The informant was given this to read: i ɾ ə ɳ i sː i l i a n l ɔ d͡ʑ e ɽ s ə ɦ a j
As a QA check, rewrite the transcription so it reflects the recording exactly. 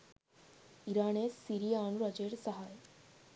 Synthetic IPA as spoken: i ɾ a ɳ e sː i ɾ i a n ɾ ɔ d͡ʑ e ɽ s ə ɦ a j

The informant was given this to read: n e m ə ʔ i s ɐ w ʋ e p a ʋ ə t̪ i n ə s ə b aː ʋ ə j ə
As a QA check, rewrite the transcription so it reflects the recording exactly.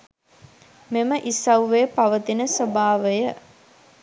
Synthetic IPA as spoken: m e m ə ʔ i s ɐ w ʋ e p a ʋ ə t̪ i n ə s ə b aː ʋ ə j ə

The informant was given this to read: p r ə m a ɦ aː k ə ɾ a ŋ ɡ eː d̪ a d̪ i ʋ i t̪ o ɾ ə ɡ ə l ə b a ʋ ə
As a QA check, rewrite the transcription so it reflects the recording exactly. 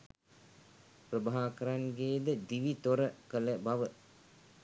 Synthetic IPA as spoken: p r ə b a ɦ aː k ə ɾ a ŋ ɡ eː d̪ ə d̪ i ʋ i t̪ o ɾ ə k ə l ə b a ʋ ə

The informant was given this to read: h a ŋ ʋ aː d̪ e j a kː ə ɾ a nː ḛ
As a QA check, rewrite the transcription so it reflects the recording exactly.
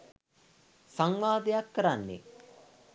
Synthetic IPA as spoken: s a ŋ ʋ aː d̪ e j a kː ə ɾ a nː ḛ

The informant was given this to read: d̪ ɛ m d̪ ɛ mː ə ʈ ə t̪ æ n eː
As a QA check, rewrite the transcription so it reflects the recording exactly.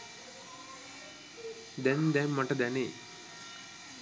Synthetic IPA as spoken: d̪ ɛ n d̪ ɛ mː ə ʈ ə d̪ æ n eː

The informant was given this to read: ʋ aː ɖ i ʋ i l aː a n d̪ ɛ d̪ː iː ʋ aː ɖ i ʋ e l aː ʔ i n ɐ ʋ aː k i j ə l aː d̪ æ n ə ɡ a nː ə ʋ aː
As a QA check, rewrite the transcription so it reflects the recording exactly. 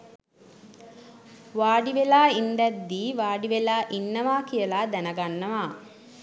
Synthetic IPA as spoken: ʋ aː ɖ i ʋ e l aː i n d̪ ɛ d̪ː iː ʋ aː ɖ i ʋ e l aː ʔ i nː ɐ ʋ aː k i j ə l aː d̪ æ n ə ɡ a nː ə ʋ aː

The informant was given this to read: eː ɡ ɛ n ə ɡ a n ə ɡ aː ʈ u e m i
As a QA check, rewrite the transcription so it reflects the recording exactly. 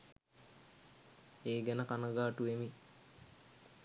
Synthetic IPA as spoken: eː ɡ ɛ n ə k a n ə ɡ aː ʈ u e m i

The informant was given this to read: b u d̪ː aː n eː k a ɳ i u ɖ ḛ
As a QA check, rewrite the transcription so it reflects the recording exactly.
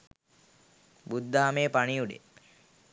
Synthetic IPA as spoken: b u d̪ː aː m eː p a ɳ i u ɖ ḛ

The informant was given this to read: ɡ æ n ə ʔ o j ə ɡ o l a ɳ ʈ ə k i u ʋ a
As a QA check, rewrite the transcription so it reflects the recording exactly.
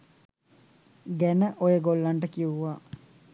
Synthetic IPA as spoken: ɡ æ n ə ʔ o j ə ɡ o lː a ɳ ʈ ə k i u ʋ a

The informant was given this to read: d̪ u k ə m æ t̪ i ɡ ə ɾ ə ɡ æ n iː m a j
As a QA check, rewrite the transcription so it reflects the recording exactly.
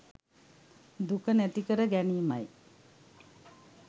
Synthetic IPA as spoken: d̪ u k ə n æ t̪ i k ə ɾ ə ɡ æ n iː m a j

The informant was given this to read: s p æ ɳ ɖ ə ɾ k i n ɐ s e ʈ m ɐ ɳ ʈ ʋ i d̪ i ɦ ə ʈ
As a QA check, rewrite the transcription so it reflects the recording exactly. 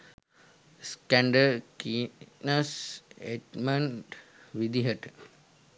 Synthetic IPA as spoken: s k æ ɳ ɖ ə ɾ k i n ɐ s e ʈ m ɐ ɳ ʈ ʋ i d̪ i ɦ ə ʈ

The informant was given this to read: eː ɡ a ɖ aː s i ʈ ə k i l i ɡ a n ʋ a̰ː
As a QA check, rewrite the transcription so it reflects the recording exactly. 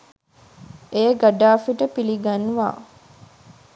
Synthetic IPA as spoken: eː ɡ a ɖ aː f i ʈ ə p i l i ɡ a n ʋ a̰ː

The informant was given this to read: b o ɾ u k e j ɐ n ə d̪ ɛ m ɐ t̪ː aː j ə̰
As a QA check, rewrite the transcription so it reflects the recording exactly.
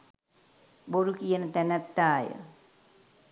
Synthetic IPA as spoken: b o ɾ u k i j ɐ n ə t̪ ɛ n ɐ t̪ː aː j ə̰

